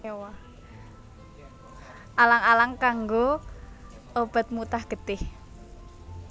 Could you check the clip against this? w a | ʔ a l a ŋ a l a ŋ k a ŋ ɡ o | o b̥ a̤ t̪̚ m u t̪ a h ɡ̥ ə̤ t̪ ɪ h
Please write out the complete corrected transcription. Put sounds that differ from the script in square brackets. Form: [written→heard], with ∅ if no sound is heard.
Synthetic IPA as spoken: w a | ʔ a l a ŋ a l a ŋ k a ŋ ɡ o | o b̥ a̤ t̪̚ m u t̪ a h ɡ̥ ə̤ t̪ ɪ h

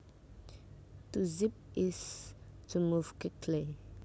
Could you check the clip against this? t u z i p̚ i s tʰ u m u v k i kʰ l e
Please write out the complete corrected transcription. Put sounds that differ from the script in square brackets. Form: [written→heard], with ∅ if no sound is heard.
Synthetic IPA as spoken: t u z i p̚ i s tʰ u m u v k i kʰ l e

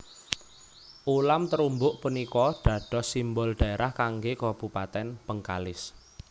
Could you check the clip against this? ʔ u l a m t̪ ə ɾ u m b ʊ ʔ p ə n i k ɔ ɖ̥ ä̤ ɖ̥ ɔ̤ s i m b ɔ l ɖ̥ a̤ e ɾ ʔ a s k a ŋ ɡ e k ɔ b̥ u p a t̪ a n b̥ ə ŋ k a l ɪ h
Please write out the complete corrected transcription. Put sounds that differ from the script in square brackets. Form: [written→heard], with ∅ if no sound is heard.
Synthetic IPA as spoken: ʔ u l a m t̪ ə ɾ u m b ʊ ʔ p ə n i k ɔ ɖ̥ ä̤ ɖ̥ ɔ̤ s i m b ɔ l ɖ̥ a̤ e ɾ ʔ a [s→h] k a ŋ ɡ e k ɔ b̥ u p a t̪ [a→ɛ] n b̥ ə ŋ k a l ɪ [h→s]

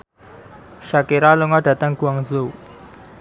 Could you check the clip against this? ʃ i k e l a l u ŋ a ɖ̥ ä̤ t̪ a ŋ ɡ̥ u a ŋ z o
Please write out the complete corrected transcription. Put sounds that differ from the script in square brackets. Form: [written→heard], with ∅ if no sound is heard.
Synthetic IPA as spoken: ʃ [i→a] k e [l→ɾ] a l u ŋ a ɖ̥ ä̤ t̪ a ŋ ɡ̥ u a ŋ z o

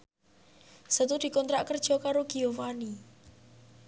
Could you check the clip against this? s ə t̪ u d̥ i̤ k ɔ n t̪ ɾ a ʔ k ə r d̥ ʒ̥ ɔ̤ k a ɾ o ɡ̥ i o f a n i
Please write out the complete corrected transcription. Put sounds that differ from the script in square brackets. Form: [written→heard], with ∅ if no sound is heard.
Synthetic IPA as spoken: s ə t̪ u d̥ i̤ k ɔ n t̪ ɾ a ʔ k ə r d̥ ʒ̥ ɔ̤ k a ɾ o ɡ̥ i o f a n i

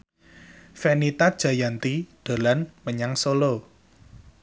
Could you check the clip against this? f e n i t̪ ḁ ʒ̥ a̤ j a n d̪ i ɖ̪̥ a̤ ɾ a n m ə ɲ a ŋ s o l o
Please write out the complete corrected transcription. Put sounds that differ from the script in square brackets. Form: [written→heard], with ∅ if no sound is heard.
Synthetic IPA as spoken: f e n i t̪ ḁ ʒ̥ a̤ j a n [d̪→t̪] i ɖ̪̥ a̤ [ɾ→l] a n m ə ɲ a ŋ s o l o

